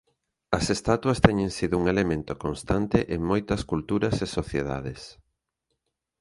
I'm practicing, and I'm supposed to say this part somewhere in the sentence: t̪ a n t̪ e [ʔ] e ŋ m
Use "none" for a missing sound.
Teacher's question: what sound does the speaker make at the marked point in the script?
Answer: ʔ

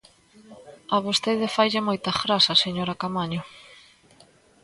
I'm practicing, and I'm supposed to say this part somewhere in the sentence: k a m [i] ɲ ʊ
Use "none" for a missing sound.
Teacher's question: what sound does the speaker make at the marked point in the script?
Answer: a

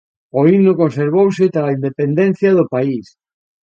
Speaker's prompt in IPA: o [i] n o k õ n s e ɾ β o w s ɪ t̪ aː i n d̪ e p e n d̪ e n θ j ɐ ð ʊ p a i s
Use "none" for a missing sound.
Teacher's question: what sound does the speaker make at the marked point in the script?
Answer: i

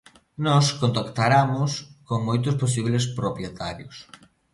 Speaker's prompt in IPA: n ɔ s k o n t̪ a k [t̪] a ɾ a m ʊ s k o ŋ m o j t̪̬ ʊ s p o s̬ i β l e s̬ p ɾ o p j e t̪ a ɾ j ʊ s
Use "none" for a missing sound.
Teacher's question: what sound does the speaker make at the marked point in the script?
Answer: t̪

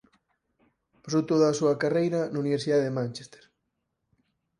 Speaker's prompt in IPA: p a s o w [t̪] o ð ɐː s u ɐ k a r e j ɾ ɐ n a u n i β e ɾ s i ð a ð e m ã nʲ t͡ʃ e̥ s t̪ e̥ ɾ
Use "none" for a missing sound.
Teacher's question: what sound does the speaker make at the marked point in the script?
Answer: t̪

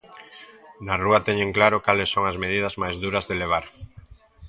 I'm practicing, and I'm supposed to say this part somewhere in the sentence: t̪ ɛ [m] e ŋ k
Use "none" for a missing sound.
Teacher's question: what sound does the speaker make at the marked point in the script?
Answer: ɲ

